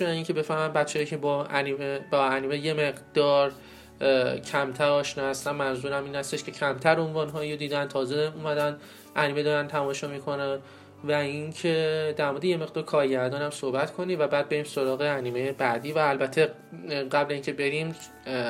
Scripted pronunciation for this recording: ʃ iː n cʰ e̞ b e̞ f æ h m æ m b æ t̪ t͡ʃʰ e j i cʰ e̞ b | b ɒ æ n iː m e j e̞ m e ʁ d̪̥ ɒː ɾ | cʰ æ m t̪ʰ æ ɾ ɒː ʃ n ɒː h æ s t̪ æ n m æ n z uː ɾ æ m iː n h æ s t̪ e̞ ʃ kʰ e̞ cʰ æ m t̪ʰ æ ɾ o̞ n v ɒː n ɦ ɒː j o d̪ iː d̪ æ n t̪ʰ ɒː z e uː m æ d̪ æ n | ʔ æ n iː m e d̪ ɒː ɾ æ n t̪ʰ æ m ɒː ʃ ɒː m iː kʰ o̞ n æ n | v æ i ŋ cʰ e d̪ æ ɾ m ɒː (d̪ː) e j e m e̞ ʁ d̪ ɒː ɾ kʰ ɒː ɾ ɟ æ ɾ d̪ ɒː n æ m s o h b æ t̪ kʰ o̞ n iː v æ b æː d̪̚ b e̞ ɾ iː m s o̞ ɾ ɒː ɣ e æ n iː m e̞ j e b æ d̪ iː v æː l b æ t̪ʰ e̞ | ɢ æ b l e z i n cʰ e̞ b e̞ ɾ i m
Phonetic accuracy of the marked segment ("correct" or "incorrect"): incorrect